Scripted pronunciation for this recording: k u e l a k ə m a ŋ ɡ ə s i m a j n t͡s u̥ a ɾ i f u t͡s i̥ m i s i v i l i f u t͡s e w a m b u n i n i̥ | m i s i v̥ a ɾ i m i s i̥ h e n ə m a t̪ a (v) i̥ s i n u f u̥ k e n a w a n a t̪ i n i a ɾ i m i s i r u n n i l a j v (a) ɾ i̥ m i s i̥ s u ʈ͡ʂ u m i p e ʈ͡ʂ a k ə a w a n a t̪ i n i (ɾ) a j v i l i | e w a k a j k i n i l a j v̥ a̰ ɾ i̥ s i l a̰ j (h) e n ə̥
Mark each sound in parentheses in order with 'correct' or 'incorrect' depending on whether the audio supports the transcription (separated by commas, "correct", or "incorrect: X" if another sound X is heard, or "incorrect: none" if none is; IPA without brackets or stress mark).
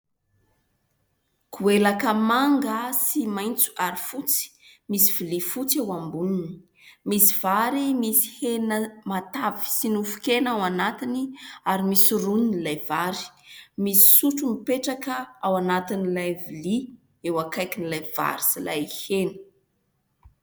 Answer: correct, correct, incorrect: l, correct